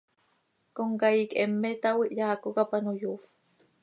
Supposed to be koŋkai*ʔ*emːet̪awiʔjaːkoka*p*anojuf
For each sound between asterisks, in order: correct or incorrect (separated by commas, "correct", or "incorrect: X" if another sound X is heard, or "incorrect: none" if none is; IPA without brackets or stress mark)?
incorrect: k, correct